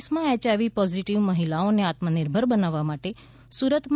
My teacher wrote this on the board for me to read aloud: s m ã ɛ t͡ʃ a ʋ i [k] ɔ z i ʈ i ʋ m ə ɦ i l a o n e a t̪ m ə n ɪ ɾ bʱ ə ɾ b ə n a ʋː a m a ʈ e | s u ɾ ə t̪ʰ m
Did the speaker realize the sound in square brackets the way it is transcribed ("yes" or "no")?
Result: no